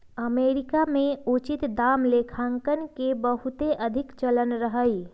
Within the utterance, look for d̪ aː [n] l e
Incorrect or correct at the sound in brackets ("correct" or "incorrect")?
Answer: incorrect